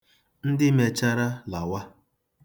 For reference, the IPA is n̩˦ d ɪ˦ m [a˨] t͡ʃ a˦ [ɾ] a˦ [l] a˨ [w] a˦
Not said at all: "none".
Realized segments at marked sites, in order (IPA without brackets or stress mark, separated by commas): e˨, ɾ, l, w